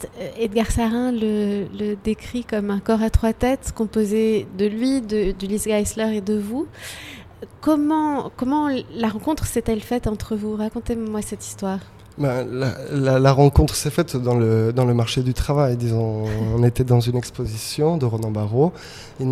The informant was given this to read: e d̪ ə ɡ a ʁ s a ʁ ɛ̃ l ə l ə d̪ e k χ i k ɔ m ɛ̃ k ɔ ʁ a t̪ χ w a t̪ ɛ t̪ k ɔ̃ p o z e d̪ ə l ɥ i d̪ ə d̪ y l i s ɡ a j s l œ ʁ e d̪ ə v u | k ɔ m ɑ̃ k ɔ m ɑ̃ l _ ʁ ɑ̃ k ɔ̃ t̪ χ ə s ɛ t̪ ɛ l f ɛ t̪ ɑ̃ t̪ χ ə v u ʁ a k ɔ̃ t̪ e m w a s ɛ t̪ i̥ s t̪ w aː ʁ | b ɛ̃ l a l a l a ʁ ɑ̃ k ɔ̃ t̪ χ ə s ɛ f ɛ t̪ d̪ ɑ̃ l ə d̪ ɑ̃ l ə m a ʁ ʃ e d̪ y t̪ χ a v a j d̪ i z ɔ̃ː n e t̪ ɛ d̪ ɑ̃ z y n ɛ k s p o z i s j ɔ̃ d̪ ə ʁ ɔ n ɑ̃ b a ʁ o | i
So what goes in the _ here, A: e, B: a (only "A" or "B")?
B